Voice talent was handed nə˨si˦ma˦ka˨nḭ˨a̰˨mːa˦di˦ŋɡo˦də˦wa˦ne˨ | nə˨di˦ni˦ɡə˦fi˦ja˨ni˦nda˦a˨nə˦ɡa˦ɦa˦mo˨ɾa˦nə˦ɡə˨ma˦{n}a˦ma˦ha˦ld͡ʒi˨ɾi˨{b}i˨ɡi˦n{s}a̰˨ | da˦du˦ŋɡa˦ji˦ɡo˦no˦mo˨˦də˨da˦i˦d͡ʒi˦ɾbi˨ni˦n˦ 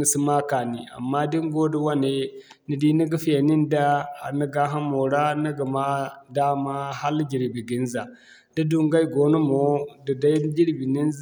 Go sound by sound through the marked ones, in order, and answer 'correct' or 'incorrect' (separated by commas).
incorrect, correct, incorrect